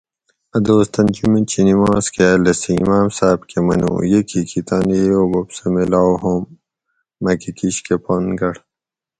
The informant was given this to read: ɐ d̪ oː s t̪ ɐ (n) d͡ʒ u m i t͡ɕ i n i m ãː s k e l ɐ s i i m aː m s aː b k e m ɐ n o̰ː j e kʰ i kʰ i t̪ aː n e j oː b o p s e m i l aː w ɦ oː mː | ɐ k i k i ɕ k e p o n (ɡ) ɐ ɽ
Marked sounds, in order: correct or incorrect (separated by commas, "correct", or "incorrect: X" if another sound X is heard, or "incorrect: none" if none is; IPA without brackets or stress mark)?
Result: correct, correct